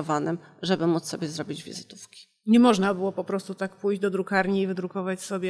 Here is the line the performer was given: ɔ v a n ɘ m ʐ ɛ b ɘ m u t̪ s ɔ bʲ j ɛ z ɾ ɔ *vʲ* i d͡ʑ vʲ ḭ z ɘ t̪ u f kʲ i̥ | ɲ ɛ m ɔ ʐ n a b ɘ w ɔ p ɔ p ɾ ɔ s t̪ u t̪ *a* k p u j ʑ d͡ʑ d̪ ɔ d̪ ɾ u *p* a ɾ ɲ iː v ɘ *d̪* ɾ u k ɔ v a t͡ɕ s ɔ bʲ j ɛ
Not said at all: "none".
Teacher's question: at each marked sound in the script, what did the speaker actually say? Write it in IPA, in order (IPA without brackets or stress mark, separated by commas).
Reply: bʲ, a, k, d̪